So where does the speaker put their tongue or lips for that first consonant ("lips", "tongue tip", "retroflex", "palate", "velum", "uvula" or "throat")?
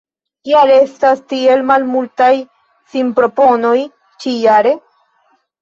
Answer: velum